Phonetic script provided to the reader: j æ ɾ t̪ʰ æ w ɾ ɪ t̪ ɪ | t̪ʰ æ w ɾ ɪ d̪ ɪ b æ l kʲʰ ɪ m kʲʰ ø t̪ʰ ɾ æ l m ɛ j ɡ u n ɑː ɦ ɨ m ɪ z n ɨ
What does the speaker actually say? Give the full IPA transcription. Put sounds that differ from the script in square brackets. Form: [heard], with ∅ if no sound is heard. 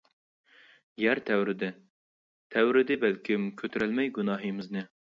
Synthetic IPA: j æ ɾ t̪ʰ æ w ɾ ɪ [d̪] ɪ | t̪ʰ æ w ɾ ɪ d̪ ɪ b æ l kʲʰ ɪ m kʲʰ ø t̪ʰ ɾ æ l m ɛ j ɡ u n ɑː ɦ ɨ m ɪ z n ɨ